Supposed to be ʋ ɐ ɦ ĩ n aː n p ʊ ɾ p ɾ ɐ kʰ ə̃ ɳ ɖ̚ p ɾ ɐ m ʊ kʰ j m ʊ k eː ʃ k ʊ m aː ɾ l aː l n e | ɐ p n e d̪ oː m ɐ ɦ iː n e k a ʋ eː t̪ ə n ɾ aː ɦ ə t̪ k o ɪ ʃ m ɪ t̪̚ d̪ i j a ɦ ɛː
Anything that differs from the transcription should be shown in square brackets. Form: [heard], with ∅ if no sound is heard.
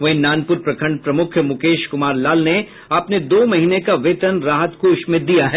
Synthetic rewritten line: ʋ ɐ ɦ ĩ n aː n p ʊ ɾ p ɾ ɐ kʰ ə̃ ɳ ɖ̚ p ɾ ɐ m ʊ kʰ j m ʊ k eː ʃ k ʊ m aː ɾ l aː l n e | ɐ p n e d̪ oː m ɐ ɦ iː n e k a ʋ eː t̪ ə n ɾ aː ɦ ə t̪ k o ɪ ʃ m ɪ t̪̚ d̪ i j a ɦ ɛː